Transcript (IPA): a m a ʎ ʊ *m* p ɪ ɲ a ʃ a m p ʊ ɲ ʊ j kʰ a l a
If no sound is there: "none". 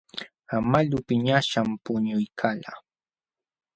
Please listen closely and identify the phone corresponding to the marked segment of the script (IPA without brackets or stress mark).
none